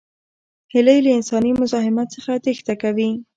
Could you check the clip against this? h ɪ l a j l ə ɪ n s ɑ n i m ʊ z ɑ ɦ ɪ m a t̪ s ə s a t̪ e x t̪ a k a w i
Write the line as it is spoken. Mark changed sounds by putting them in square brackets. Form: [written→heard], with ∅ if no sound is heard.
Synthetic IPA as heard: h ɪ l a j l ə ɪ n s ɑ n i m ʊ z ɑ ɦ ɪ m a t̪ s ə [s→x] a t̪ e x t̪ a k a w i